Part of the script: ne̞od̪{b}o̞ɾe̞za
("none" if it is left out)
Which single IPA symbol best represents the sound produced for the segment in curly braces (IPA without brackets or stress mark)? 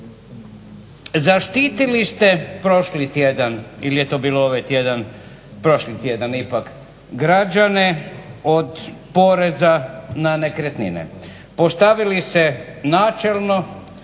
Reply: p